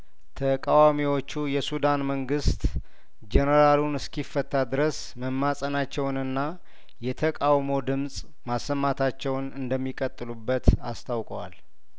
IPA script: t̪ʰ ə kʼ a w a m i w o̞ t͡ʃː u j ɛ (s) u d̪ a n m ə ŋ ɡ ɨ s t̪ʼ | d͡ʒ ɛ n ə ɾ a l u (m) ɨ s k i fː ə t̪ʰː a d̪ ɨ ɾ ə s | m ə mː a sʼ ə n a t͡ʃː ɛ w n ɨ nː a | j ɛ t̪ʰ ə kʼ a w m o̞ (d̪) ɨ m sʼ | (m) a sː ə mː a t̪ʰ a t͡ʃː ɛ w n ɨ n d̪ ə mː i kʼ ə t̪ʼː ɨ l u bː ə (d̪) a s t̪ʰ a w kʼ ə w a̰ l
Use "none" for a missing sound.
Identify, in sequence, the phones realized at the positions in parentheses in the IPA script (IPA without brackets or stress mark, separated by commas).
s, n, d̪, m, t̪